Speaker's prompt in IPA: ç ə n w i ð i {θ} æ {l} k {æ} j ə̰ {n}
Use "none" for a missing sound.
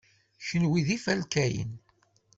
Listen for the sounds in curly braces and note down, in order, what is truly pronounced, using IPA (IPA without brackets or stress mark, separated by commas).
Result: f, l, æ, n